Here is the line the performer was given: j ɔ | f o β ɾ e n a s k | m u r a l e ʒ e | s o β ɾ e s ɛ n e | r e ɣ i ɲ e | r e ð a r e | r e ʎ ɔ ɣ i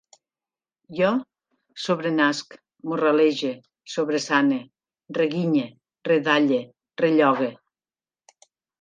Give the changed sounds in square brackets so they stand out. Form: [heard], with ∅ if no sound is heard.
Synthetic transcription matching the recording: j ɔ | [s] o β ɾ e n a s k | m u r a l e ʒ e | s o β ɾ e s [a] n e | r e ɣ i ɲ e | r e ð a [ʎ] e | r e ʎ ɔ ɣ [e]